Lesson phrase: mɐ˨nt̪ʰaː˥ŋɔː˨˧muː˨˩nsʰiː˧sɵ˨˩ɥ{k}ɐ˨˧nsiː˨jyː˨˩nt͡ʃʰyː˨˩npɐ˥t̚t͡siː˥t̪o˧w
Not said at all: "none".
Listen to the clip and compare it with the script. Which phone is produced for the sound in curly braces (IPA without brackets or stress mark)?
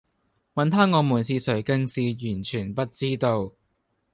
k